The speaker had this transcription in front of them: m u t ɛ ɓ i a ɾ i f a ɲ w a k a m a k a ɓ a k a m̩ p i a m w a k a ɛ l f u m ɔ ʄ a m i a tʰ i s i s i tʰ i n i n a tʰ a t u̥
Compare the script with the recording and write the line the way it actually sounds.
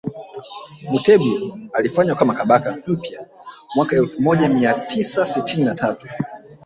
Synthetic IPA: m u t ɛ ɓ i a l i f a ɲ w a k a m a k a ɓ a k a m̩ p j a m w a k a ɛ l f u m ɔ ʄ a m i a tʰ i s a s i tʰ i n i n a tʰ a t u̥